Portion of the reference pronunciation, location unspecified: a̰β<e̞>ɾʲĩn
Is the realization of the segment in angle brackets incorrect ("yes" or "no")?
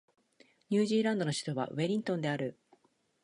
no